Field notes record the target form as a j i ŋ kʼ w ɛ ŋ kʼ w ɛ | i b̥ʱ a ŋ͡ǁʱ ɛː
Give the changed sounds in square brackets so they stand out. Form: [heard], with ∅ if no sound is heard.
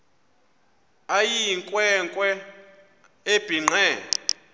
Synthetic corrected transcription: a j i ŋ kʼ w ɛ ŋ kʼ w ɛ | [e] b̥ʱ [i] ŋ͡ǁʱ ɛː